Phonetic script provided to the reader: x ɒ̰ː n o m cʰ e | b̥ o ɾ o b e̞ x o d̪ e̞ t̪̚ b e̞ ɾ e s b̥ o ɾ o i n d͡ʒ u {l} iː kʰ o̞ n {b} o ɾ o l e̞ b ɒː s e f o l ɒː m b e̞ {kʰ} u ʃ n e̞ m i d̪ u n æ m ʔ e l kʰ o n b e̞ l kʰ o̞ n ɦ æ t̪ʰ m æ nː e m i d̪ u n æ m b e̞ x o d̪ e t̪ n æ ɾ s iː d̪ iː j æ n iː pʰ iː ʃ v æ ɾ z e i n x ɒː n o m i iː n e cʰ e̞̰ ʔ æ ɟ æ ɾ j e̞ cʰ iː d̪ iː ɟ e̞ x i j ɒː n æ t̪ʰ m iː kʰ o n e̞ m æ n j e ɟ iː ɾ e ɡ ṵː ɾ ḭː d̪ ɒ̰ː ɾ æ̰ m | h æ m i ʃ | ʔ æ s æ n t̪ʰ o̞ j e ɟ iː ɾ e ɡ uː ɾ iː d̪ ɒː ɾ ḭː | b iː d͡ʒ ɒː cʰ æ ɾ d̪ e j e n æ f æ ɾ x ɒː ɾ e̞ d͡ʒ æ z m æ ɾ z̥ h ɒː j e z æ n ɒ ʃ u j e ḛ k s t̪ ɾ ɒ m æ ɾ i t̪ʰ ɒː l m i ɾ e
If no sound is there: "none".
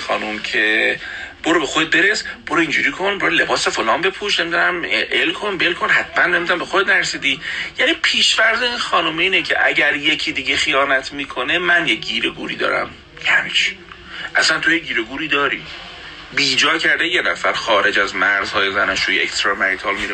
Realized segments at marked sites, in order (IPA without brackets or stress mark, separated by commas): ɾ, b, pʰ